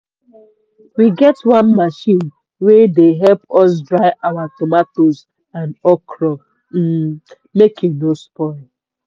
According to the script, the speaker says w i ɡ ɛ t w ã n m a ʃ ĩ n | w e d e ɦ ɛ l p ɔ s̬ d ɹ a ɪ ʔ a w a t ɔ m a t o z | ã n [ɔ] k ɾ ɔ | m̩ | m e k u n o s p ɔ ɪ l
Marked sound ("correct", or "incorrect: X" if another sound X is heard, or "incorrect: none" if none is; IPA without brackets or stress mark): correct